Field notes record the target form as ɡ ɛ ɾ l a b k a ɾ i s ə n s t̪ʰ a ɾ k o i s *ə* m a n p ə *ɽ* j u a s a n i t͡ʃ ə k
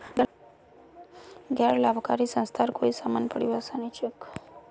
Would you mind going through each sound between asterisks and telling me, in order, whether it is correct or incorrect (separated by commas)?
incorrect, correct